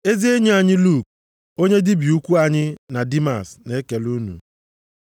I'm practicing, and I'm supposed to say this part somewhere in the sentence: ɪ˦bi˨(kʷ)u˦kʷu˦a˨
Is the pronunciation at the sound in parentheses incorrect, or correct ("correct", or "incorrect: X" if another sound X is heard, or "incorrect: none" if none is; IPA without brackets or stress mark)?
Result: incorrect: none